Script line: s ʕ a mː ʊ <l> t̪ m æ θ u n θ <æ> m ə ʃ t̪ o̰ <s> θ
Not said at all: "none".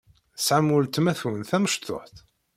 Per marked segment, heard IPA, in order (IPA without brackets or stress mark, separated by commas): l, æ, ħ